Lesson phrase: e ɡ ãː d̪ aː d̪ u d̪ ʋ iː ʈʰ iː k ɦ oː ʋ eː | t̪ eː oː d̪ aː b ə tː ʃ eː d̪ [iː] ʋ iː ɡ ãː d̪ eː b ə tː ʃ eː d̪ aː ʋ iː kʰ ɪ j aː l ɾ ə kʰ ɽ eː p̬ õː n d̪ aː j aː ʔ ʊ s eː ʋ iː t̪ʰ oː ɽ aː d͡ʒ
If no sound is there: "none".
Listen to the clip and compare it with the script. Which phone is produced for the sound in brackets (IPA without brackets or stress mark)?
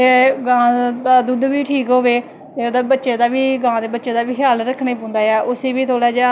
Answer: aː